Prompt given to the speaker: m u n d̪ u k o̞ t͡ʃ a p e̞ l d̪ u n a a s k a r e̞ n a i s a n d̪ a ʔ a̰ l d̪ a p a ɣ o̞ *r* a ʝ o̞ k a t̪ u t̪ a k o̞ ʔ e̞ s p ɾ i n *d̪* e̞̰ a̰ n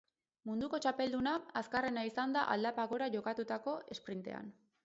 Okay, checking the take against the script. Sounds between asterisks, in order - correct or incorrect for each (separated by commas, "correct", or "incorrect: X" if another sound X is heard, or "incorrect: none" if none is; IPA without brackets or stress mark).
incorrect: ɾ, incorrect: t̪